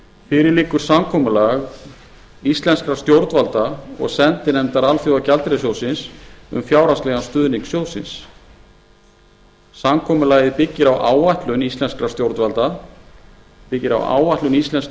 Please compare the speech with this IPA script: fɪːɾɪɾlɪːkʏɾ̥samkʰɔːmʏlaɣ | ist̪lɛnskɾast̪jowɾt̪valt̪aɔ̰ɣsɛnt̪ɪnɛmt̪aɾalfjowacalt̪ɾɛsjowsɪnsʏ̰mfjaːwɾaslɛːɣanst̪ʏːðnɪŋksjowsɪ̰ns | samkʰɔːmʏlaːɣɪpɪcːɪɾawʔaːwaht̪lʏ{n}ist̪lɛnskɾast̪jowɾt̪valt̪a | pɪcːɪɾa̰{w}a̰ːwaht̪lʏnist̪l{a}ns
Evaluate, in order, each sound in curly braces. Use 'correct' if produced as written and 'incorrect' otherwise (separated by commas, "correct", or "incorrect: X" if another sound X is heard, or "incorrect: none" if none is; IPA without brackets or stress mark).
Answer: correct, correct, incorrect: ɛ